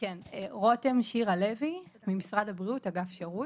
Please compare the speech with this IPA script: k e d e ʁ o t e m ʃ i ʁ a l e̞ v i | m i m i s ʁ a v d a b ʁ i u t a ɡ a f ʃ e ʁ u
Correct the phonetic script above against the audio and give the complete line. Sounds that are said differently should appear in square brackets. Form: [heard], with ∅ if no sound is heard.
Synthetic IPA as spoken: k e [n] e ʁ o t e m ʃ i ʁ a l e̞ v i | m i m i s ʁ a [∅] d a b ʁ i u t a ɡ a f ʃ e ʁ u